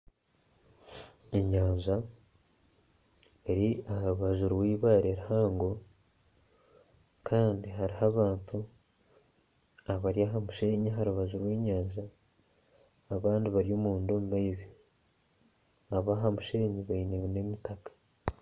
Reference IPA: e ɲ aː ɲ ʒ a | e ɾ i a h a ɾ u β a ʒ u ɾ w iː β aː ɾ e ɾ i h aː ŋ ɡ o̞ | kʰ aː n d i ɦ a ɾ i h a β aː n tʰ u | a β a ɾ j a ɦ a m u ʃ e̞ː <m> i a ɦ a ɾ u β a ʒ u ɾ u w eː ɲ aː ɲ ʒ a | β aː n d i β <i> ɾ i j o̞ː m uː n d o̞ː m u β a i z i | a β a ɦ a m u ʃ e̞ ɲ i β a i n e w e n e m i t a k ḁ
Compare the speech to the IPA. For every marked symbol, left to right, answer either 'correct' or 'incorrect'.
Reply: incorrect, incorrect

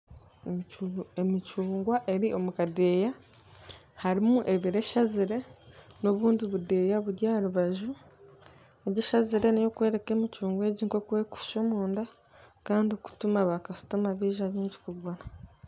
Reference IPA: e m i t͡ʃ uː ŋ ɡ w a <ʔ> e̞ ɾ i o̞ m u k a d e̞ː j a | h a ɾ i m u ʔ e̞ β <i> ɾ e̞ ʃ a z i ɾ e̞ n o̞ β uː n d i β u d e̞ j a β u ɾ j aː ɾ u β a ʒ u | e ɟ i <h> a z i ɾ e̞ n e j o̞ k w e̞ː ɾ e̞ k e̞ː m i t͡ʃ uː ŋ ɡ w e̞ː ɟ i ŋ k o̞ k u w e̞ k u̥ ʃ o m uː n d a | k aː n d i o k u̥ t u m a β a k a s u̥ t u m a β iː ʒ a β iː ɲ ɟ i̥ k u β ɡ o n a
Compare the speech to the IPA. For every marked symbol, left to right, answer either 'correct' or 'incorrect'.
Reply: correct, correct, incorrect

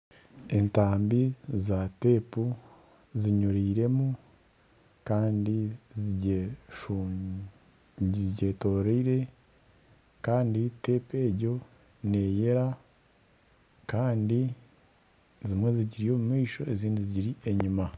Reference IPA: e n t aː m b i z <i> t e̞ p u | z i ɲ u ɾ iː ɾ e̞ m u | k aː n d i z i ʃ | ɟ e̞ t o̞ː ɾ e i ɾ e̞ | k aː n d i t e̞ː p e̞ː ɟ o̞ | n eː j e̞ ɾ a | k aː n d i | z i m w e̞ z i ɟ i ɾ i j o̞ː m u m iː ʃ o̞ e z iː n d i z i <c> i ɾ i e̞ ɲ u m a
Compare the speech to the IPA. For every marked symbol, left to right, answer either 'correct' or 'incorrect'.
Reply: incorrect, incorrect

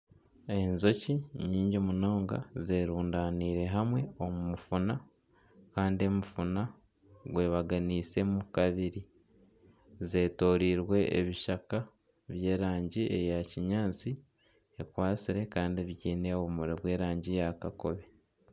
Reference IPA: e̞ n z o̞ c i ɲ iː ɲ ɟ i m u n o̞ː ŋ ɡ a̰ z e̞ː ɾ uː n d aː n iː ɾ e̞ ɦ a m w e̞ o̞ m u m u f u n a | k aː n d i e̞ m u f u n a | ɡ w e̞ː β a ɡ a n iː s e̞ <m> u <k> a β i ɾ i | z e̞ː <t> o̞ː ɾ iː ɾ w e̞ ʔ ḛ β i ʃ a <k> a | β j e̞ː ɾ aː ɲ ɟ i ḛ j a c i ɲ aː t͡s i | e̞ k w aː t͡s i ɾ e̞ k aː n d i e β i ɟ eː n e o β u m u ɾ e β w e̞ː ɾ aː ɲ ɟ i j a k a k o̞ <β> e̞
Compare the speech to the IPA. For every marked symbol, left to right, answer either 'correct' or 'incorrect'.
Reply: correct, correct, correct, correct, correct

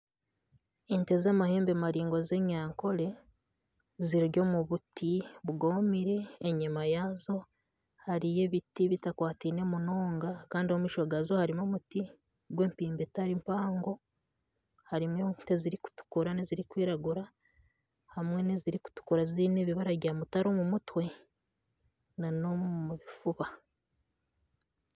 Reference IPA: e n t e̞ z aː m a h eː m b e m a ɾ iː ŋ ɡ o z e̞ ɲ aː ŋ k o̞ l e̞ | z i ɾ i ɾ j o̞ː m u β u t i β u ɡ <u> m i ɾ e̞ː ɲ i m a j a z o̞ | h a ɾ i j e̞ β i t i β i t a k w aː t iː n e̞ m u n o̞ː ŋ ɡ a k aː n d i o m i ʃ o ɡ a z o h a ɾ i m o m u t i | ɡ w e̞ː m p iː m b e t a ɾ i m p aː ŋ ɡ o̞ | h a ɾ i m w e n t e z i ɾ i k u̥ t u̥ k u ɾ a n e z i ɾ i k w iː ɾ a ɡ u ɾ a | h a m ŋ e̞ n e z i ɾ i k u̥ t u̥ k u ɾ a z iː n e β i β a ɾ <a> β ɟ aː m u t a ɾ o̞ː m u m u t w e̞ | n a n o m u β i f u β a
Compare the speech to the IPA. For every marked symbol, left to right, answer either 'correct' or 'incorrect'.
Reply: incorrect, correct

